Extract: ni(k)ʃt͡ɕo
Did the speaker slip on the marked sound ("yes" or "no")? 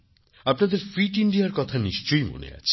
yes